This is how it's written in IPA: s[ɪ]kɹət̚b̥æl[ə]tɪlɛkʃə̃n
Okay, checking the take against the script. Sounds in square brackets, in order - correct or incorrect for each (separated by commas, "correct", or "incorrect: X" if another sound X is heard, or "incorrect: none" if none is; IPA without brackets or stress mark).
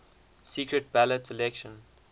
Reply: incorrect: i, correct